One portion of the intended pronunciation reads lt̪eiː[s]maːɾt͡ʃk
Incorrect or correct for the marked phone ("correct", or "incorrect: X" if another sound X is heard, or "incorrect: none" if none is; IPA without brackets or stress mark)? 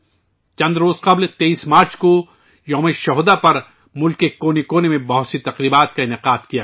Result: correct